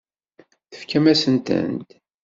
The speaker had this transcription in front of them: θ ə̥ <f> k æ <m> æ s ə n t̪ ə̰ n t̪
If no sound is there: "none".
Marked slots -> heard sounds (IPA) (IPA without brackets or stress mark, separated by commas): f, m